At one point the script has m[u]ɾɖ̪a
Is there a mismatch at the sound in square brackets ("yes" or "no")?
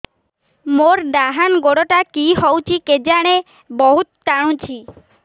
yes